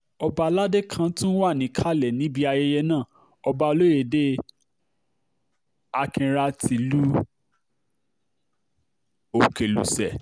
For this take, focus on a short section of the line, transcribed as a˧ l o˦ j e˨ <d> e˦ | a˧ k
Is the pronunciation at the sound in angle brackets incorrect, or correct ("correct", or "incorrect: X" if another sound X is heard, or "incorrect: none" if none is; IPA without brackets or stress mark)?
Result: correct